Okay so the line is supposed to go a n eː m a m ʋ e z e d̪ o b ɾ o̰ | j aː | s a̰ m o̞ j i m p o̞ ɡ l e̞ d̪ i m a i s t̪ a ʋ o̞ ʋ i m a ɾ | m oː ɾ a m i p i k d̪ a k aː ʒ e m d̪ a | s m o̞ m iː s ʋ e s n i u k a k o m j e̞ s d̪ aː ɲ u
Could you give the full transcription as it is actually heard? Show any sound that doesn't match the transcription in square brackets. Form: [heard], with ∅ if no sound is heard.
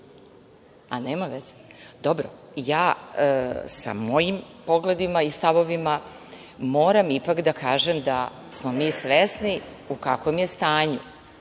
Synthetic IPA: a n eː m a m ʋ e z e d̪ o b ɾ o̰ | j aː | s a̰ m o̞ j i m p o̞ ɡ l e̞ d̪ i m a i s t̪ a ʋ o̞ ʋ i m a [∅] | m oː ɾ a m i p [a] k d̪ a k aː ʒ e m d̪ a | s m o̞ m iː s ʋ e s n i u k a k o m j e̞ s [t̪] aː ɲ u